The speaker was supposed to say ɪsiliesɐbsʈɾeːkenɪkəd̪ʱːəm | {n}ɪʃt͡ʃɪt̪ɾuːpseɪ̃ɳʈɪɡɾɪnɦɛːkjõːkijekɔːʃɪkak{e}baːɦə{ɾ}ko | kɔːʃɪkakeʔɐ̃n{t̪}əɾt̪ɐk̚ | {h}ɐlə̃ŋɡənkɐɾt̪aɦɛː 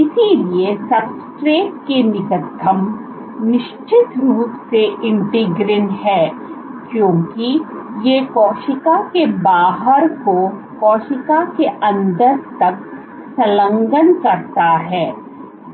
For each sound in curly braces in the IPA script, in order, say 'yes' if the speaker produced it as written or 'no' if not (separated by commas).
yes, yes, yes, no, no